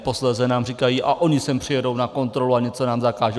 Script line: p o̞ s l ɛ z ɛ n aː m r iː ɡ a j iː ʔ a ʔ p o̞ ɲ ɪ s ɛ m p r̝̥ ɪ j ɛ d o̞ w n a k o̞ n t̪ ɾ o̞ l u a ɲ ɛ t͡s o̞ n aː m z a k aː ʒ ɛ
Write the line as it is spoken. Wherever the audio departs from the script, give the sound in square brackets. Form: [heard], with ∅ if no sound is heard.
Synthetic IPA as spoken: p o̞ s l ɛ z ɛ n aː m r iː [k] a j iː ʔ a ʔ [ʔ] o̞ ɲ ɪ s ɛ m p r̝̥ ɪ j ɛ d o̞ w n a k o̞ n t̪ ɾ o̞ l u a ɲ ɛ t͡s o̞ n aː m z a k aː ʒ ɛ

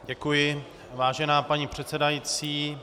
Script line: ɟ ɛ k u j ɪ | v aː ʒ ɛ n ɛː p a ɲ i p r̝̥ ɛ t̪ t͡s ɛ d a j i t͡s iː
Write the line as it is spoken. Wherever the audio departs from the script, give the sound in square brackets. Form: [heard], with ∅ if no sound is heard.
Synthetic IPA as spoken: ɟ ɛ k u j ɪ | v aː ʒ ɛ n [aː] p a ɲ i p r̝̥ ɛ t̪ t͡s ɛ d a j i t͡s iː

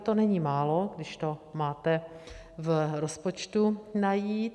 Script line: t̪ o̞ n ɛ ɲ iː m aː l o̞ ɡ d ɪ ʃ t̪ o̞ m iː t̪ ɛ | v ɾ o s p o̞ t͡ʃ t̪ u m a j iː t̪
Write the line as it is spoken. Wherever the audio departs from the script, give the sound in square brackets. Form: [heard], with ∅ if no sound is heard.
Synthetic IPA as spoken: t̪ o̞ n ɛ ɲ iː m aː l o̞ ɡ d ɪ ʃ t̪ o̞ m [aː] t̪ ɛ | v ɾ o s p o̞ t͡ʃ t̪ u [n] a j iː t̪

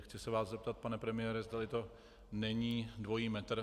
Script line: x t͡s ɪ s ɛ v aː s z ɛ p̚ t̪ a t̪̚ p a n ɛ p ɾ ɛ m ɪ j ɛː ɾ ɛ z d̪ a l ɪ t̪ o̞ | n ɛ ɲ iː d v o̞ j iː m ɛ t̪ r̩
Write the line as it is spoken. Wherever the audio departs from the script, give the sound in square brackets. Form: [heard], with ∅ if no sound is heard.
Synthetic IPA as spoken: x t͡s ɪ s ɛ v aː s z ɛ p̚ t̪ a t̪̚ p a n ɛ p ɾ ɛ m ɪ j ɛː ɾ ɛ z d̪ a l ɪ t̪ o̞ | n ɛ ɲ iː d v o̞ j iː m ɛ t̪ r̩

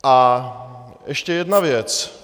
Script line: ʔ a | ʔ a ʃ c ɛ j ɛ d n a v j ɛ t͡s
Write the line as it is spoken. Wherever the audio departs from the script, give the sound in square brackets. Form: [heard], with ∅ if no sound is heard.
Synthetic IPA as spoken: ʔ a | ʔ [ɛ] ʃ c ɛ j ɛ d n a v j ɛ t͡s

